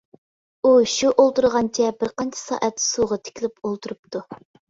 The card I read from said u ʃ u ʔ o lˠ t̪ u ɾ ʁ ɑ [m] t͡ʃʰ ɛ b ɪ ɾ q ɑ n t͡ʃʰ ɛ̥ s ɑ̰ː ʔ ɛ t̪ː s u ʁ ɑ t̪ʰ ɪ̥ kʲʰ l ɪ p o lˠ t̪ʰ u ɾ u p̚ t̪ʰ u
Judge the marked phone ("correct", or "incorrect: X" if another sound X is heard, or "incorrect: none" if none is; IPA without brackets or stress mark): incorrect: n